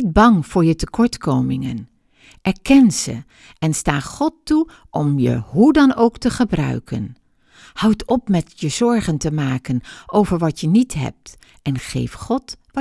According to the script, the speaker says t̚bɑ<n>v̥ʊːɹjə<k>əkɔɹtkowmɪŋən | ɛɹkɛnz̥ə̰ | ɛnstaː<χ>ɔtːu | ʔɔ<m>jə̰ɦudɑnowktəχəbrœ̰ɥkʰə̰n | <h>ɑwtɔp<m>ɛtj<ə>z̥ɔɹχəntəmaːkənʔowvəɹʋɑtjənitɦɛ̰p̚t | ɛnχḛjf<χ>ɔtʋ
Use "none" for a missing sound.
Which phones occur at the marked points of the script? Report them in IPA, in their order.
ŋ, t, χ, m, h, m, ə, χ

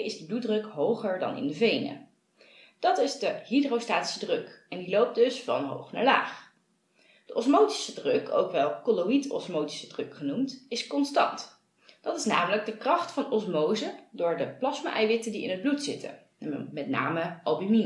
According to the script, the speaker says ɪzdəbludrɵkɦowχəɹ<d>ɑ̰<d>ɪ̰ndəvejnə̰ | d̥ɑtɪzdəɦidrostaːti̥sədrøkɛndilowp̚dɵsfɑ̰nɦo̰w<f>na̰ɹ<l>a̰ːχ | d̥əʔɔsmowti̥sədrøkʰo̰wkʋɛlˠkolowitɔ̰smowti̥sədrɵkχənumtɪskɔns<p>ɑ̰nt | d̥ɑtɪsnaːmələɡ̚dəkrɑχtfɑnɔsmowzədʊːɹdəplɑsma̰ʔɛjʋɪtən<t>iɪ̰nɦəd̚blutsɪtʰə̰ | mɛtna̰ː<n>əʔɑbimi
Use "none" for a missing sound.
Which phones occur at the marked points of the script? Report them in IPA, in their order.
d, n, χ, l, t, d, m

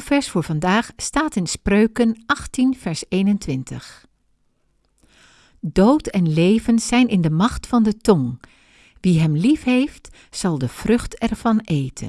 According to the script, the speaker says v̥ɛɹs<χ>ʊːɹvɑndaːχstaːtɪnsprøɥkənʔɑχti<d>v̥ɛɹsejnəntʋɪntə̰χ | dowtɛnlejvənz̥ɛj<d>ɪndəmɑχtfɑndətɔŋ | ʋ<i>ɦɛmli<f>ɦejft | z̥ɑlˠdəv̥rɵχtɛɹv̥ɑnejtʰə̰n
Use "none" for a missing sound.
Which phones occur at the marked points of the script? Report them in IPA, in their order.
f, n, n, i, f

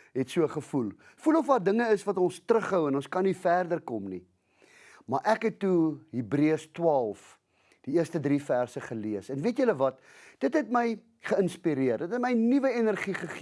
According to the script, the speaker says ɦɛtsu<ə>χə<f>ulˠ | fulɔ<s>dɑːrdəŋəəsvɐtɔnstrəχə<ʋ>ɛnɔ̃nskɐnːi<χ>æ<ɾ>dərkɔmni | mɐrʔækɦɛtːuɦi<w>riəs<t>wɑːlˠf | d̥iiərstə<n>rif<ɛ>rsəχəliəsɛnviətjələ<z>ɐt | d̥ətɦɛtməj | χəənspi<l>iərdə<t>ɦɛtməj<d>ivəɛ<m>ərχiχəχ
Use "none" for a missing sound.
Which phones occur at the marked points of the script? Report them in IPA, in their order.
ə, f, f, w, f, r, b, t, d, æ, v, ɾ, t, n, n

